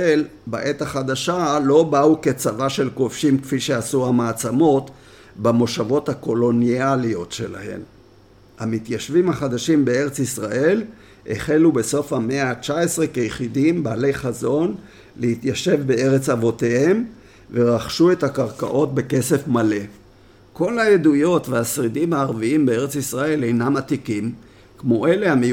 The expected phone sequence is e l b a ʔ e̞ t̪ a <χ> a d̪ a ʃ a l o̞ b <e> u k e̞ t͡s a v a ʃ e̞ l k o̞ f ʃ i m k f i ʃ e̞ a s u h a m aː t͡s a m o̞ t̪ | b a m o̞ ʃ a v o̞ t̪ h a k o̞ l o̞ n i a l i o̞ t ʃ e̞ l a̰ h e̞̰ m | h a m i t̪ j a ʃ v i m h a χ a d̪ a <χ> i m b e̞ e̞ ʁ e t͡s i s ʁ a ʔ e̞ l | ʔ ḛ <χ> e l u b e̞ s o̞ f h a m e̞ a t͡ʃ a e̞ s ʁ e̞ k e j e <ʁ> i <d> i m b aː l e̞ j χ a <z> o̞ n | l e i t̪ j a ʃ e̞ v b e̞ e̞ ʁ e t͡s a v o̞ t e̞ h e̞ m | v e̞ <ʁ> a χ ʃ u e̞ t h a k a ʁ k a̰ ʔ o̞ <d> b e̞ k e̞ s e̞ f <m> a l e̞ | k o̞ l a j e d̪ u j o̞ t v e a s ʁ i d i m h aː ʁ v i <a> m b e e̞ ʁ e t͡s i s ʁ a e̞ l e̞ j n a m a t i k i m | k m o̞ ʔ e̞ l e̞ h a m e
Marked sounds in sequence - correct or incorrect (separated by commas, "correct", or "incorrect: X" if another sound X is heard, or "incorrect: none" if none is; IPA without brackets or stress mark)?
correct, incorrect: a, incorrect: ʃ, correct, incorrect: χ, correct, correct, correct, incorrect: t, correct, incorrect: i